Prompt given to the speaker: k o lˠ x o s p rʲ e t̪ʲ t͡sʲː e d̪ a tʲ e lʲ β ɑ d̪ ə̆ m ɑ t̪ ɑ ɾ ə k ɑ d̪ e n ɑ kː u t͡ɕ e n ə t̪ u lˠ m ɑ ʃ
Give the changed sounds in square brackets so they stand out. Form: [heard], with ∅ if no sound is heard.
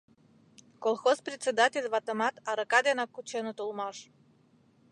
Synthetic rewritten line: k o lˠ x o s p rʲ e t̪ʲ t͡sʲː e d̪ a tʲ e lʲ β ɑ [t̪] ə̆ m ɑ t̪ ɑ ɾ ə k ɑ d̪ e n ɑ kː u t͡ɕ e n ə t̪ u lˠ m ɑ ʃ